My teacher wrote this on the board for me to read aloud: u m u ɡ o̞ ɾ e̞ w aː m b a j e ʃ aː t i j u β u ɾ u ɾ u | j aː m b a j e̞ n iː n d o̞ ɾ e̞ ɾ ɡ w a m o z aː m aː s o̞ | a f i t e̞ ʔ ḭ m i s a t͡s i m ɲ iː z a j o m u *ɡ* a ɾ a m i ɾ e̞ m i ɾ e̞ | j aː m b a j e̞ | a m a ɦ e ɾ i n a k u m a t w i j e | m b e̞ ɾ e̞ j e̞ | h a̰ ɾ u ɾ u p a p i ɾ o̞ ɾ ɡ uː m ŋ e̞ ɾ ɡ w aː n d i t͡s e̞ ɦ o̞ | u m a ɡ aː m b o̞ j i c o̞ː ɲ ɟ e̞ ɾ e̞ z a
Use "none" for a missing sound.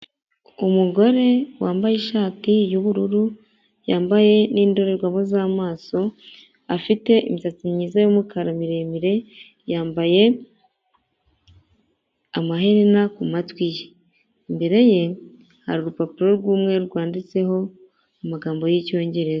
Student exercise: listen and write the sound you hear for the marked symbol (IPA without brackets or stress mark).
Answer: k